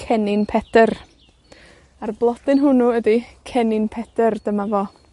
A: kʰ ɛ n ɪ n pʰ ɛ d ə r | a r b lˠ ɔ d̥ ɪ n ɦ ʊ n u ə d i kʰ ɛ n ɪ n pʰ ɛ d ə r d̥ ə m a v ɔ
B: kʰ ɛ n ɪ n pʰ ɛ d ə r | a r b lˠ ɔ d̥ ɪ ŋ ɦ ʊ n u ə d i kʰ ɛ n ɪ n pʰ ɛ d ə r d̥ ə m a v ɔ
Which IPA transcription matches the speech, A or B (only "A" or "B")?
A